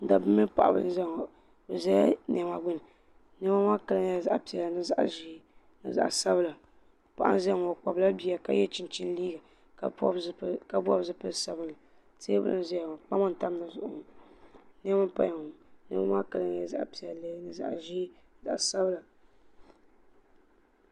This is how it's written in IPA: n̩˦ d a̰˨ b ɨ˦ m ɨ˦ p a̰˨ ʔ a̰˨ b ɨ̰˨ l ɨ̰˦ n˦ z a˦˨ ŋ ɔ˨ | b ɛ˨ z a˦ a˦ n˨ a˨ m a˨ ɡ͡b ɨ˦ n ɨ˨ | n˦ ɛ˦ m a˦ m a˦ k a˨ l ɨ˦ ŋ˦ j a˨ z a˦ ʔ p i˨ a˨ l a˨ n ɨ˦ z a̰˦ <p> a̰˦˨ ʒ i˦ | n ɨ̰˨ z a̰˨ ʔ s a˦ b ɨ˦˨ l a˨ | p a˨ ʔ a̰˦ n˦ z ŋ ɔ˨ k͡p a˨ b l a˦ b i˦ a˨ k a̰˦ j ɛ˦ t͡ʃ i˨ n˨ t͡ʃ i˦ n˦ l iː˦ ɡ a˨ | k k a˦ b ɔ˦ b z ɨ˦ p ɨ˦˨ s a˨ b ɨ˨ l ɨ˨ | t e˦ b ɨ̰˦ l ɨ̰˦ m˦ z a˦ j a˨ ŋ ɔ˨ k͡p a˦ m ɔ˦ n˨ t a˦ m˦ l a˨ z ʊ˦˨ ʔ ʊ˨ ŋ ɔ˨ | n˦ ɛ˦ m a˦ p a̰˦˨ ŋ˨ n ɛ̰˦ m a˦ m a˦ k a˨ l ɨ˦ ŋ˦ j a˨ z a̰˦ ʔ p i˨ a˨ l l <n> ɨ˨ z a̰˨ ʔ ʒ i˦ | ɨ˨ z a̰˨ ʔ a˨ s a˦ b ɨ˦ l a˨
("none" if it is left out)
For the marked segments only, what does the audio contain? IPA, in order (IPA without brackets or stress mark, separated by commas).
ʔ, n